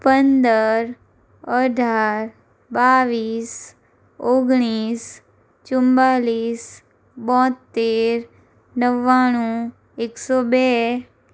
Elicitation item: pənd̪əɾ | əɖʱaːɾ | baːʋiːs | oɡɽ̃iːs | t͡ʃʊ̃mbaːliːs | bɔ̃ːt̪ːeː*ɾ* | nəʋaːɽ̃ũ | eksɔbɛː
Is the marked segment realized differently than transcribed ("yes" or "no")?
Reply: no